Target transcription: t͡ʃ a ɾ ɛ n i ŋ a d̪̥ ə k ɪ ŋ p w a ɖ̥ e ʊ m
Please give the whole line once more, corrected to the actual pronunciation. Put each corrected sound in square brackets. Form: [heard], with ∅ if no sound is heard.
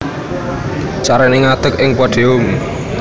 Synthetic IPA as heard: t͡ʃ a ɾ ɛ n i ŋ a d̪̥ ə k ɪ ŋ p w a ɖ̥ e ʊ m